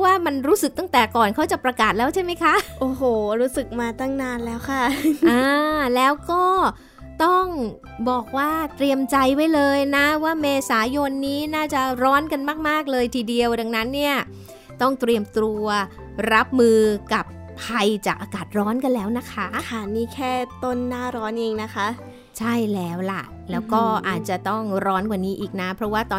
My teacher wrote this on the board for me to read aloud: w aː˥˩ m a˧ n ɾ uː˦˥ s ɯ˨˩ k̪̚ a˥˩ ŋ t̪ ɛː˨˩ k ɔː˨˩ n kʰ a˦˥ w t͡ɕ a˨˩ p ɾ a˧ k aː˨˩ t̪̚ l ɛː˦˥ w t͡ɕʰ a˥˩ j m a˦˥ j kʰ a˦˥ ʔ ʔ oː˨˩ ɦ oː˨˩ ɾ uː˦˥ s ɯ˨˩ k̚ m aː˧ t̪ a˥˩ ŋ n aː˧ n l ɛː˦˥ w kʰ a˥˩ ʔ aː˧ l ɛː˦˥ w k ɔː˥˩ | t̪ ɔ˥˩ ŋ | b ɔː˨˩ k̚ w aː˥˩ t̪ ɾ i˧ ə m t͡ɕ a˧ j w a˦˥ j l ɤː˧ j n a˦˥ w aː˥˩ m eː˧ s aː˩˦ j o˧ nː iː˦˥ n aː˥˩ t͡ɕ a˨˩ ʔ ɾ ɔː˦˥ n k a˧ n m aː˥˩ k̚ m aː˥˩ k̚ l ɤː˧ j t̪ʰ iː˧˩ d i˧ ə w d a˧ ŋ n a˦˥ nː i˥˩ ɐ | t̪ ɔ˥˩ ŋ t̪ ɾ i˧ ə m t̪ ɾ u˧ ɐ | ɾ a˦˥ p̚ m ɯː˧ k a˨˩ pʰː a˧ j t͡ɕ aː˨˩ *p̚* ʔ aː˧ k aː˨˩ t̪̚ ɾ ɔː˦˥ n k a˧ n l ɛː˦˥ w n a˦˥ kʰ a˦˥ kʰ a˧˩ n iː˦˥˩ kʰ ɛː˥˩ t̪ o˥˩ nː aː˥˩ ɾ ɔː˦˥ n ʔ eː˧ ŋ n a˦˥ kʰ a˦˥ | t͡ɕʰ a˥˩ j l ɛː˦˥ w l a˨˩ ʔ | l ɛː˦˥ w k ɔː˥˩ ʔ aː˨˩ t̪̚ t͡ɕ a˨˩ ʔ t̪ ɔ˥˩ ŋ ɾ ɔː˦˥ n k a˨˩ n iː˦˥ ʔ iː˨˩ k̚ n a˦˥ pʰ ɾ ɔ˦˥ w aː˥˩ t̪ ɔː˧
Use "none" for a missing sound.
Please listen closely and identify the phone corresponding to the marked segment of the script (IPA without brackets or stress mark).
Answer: k̚